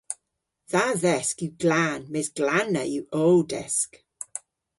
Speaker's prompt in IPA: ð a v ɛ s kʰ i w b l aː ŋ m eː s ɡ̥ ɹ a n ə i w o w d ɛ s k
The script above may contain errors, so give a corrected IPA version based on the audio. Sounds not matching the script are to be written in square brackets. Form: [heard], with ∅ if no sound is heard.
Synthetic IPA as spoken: ð a [ð] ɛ s [k] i w [ɡ] l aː [n] m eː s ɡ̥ [l] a n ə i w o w d ɛ s k